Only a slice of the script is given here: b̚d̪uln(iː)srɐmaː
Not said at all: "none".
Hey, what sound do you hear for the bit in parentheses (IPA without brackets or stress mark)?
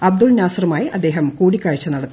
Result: aː